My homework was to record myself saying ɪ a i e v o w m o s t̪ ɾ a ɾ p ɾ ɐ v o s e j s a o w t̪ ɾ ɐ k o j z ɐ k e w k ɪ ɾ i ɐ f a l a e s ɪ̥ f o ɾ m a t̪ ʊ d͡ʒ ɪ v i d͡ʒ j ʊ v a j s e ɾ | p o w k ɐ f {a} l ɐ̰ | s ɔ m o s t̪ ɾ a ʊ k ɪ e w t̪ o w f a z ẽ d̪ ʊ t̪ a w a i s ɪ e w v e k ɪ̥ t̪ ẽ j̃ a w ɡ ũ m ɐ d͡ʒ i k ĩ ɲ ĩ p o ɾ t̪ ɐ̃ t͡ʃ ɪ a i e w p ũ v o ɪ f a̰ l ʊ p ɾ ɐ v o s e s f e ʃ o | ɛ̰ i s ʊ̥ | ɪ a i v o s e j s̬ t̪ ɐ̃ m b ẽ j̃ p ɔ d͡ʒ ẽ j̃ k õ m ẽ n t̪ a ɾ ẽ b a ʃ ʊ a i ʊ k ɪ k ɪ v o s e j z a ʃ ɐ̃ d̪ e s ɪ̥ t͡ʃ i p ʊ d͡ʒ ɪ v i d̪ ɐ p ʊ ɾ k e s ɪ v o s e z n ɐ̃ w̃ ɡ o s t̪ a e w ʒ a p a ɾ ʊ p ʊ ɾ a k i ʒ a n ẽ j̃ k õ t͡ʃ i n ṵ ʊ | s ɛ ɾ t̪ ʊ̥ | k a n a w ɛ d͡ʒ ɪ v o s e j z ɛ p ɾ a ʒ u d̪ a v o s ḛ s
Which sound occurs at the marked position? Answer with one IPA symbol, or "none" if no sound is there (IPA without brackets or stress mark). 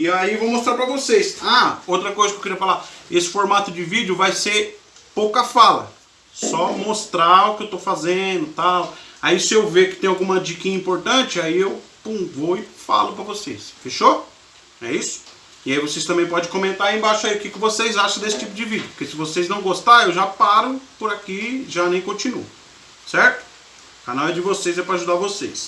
a